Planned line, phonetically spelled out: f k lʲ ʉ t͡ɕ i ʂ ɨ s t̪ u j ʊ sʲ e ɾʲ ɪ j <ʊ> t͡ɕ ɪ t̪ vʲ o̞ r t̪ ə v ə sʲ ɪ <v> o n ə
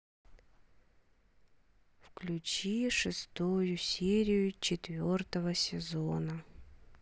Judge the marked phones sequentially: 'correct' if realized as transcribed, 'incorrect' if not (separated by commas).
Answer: correct, incorrect